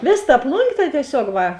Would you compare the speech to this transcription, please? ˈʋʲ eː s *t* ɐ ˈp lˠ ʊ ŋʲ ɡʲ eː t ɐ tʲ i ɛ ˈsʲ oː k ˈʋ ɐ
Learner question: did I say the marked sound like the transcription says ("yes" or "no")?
yes